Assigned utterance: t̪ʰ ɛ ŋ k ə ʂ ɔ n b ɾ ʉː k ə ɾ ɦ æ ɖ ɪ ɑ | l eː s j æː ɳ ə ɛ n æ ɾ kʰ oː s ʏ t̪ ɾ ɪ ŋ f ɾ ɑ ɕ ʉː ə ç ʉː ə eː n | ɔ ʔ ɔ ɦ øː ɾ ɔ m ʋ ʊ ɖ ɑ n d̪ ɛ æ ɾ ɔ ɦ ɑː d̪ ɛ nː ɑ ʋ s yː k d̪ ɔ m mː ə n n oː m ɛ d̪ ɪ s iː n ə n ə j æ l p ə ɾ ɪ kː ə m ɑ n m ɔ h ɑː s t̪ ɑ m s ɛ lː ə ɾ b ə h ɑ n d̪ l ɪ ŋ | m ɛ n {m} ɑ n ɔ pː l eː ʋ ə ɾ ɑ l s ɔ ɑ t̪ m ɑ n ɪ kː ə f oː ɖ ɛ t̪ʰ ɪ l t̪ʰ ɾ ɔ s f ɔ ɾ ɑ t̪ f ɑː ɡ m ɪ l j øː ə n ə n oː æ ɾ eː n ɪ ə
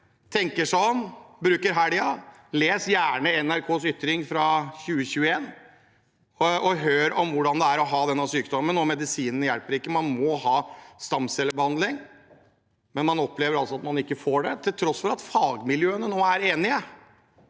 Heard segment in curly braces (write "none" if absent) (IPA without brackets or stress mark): m